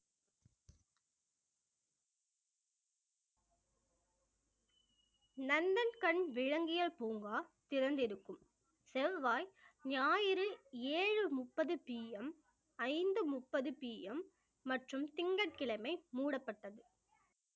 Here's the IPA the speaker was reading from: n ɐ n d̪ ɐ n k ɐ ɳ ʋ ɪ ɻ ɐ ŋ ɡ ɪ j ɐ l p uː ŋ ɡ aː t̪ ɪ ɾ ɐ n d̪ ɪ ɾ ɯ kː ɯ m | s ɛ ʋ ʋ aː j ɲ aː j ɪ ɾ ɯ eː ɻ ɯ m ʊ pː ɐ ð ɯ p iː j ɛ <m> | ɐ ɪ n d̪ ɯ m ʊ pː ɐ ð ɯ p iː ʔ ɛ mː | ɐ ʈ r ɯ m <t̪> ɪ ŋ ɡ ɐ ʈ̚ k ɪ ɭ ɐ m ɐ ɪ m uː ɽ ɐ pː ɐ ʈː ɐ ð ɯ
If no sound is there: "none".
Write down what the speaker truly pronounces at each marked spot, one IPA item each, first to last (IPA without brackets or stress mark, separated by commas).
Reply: m, t̪